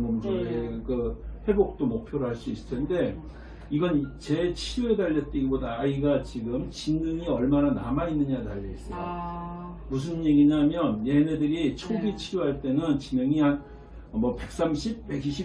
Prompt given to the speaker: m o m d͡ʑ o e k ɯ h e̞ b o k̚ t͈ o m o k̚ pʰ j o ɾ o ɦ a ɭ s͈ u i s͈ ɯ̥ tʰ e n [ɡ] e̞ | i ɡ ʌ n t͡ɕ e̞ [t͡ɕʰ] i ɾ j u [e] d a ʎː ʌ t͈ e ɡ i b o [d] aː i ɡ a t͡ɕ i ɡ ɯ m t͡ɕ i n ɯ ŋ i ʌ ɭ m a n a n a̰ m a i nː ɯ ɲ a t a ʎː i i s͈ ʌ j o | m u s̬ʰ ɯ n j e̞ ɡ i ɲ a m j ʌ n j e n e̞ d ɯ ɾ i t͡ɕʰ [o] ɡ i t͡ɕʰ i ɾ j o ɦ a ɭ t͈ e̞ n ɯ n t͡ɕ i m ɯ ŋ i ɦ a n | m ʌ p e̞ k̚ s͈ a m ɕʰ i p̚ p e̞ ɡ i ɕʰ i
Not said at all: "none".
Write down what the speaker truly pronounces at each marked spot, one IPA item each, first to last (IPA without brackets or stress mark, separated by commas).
d, t͡ɕʰ, e, d, o